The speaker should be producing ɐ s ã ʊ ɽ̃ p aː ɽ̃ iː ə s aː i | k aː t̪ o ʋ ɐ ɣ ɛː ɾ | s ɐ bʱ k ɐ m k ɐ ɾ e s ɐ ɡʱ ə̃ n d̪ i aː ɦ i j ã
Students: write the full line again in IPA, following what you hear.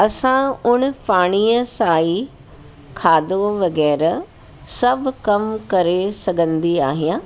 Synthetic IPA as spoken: ɐ s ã ʊ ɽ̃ p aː ɽ̃ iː ə s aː i | kʰ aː d̪ o ʋ ɐ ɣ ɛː ɾ | s ɐ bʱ k ɐ m k ɐ ɾ e s ɐ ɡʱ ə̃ n d̪ i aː ɦ i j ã